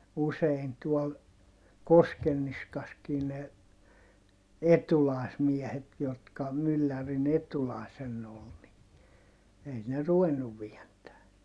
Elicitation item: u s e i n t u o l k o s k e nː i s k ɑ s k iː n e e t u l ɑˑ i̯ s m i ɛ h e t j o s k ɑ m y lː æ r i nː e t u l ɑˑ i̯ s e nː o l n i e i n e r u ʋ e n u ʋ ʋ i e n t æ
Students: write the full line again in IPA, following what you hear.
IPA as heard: u s e i n t u o l k o s k e nː i s k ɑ s k iː n e e t u l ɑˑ i̯ s m i ɛ h e t j o t k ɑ m y lː æ r i n e t u l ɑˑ i̯ s e nː o l n i e i n e r u ʋ e nː u ʋ ʋ i e n t æː

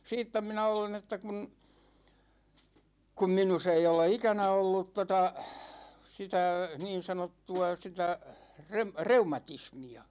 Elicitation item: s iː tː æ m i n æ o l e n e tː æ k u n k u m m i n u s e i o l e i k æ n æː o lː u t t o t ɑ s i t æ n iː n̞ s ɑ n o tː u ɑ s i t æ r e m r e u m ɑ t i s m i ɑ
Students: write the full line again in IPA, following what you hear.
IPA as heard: s iː tː æ m i n æ o l e n e tː æ k u n k u m m i n u s e i o l e i k æ n æ o lː u t t o t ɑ s i t æ n iː n̞ s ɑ n o tː u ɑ s i t æ r e m r e u m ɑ t i s m i ɑ

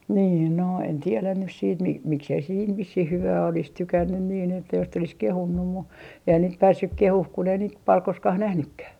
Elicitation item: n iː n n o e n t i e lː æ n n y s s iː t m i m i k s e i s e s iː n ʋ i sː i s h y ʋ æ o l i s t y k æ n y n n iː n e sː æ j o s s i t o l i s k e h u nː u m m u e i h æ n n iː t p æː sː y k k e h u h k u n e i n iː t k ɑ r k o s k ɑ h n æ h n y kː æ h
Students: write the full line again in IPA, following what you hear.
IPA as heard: n iː n n o e n t i e l æ n n y s s iː t m i m i k s e i s e s iː n ʋ i sː i h h y ʋ æː o l i s t y k æ nː y n n iː n e tː æ j o s s i t o l i s k e h u nː u m m u e i h æ n n iː t p æː sː y k k e h u h k u n e i n iː t p ɑ l k o s k ɑ h n æ h n y kː æ h

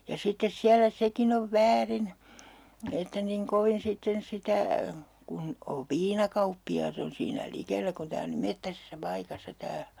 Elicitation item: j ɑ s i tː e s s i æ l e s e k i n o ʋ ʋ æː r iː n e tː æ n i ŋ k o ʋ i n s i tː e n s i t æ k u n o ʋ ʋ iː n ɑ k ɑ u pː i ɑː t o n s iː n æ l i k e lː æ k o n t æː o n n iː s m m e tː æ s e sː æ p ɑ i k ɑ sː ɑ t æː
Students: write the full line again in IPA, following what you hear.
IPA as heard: j ɑ s i tː e s s i æ l æ s e k i n o ʋ ʋ æː r i n e tː æ n i ŋ k o ʋ i n s i tː e n s i t æ k u n o ʋ ʋ iː n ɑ k ɑ u pː i ɑː t o n s iː n æ l i k e lː æ k u n t æː o n n iː m m e tː æ s e sː æ p ɑ i k ɑ sː ɑ t æː

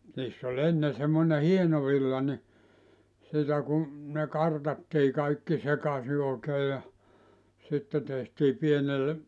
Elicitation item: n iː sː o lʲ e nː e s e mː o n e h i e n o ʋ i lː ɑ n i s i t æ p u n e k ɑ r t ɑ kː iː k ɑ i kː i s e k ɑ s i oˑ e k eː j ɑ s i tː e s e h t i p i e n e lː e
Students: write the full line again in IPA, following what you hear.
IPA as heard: n iː sː o lʲ e nː e s e mː o n e h i e n o ʋ i lː ɑ n i s i t æ k u n e k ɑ r t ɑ tː iː k ɑ i kː i s e k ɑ s i oˑ e k eː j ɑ s i tː e t e h t iː p i e n e lː e

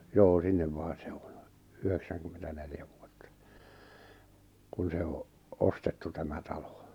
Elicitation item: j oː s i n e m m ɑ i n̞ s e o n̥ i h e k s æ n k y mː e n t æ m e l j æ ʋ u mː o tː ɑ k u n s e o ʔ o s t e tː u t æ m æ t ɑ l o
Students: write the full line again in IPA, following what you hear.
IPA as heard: j oː s i nː e m m ɑ i n̞ s e o n̥ y h e k s æ ŋ k y mː e n t æ n e l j æ ʋ u o tː ɑ k u n s e o ʔ o s t e tː u t æ m æ t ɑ l o

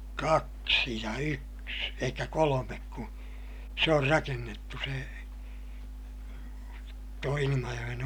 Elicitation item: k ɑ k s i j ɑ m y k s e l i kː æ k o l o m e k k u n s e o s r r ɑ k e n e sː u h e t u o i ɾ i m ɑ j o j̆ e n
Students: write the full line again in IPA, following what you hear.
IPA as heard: k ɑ k s i j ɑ y k s e l i kː æ k o l o m e k k u s e o r r ɑ k e nː e tː u s e t u o i l i m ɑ j o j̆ e n

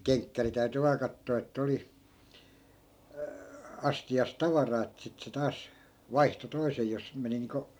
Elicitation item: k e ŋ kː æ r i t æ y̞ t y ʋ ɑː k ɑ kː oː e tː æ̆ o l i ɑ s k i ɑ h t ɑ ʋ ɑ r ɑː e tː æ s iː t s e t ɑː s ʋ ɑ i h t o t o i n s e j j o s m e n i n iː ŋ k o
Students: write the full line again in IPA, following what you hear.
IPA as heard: k e ŋ kː æ r i t æ y̞ t y ʋ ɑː k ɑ tː oː e tː æ̆ o l i ɑ s t i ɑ s t ɑ ʋ ɑ r ɑː e tː æ s i t s e t ɑː s ʋ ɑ i h t o t o i s e j j o s m e n i n iː ŋ k o

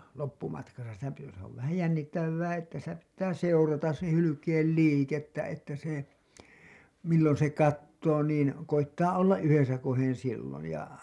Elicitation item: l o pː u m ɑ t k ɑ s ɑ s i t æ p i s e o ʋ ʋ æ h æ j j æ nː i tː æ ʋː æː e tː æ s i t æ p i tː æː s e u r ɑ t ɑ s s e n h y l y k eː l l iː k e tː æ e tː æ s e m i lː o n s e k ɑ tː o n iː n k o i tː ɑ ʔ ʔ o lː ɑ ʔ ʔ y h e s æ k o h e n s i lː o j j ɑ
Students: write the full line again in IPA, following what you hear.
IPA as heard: l o pː u m ɑ t k ɑ s ɑ s i t æ p i s e o ʋ ʋ æ h æ j j æ nː i tː æ ʋː æː e tː æ s i t æ p i tː æː s e u r ɑ t ɑ s s e n h y l y k eː l l iː k e tː æ e tː æ s e m i lː o n s e k ɑ tː oː n iː n k o i tː ɑ ʔ ʔ o lː ɑ ʔ ʔ y h e s æ k o h e n s i lː o j j ɑ

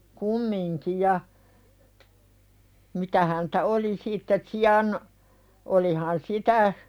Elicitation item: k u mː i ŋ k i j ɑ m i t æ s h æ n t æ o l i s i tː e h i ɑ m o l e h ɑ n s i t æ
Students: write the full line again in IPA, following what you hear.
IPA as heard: k u mː i ŋ k i j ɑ m i t æ h æ n t æ o l i s i tː e s i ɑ n o l i h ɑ n s i t æ

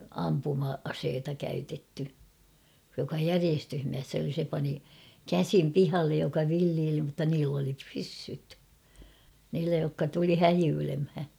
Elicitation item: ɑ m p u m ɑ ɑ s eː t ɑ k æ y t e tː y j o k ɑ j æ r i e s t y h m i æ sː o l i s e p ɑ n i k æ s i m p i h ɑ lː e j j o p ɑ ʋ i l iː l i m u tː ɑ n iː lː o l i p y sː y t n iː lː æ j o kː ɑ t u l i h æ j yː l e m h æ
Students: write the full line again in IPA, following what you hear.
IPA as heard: ɑ m p u m ɑ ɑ s eː t ɑ k æ y t e tː y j o k ɑ j æ r i e s t y h m i æ sː o l i s e p ɑ n i k æ s i m p i h ɑ lː e j j o k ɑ ʋ i lː iː l i m u tː ɑ n iː lː o l i p y sː y t n iː lː æ j o kː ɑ t u l i h æ j yː l e m h æ

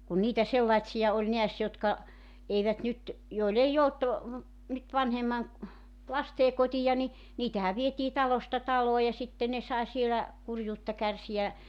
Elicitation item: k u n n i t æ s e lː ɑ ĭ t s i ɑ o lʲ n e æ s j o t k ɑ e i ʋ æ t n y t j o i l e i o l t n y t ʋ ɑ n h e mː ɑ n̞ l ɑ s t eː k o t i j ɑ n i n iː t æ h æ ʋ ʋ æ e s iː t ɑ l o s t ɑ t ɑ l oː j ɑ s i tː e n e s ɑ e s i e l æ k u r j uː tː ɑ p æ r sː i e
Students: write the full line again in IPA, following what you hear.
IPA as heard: k u n n iː t æ s e lː ɑ ĭ t s i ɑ o lʲ n e æ s j o t k ɑ e i ʋ æ t n y t j o i l e i o l t n y t ʋ ɑ n h e mː ɑ n̞ l ɑ s t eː k o t i j ɑ n i n iː t æ h æ ʋ ʋ i e t iː t ɑ l o s t ɑ t ɑ l oː j ɑ s i tː e n e s ɑ e s i e l æ k u r j uː tː ɑ k æ r s i æ

